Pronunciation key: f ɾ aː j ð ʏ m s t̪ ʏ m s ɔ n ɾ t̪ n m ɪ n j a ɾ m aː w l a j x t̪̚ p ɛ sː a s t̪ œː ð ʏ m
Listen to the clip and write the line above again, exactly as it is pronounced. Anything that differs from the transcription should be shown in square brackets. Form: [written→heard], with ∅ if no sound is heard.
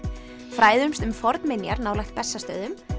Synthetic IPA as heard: f ɾ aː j ð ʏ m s t̪ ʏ m [s→f] ɔ [n→∅] ɾ t̪ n m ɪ n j a ɾ [m→n] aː w l a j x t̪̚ p ɛ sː a s t̪ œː ð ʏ m